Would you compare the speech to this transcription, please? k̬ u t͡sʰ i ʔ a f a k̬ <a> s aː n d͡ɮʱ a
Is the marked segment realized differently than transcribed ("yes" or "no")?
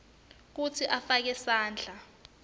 yes